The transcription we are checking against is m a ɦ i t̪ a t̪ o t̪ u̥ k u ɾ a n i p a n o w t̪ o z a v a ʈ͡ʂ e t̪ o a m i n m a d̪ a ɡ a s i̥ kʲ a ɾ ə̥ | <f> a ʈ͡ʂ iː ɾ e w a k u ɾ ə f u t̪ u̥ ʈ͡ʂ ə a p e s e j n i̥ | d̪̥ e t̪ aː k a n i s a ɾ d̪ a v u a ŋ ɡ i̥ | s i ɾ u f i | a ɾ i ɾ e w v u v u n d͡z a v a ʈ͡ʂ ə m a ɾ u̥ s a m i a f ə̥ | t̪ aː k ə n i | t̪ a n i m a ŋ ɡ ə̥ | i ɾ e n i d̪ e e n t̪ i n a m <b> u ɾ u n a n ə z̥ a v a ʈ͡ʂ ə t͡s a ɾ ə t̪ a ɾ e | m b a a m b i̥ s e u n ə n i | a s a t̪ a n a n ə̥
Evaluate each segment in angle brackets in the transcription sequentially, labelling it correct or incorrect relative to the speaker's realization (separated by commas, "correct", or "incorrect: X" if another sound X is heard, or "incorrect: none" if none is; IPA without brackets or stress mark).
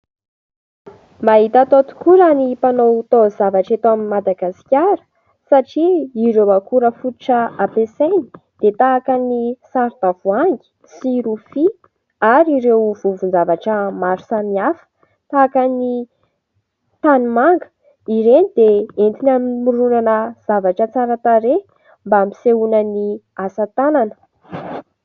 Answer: incorrect: s, incorrect: m